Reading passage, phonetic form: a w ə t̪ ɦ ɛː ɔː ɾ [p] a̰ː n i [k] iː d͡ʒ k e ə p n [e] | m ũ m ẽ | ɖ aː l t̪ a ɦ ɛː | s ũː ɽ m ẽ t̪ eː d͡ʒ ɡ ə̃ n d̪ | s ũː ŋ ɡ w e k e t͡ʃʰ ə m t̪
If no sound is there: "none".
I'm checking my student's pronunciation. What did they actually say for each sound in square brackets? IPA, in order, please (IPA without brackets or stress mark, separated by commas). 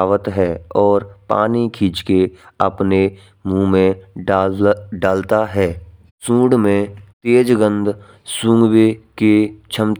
p, kʰ, e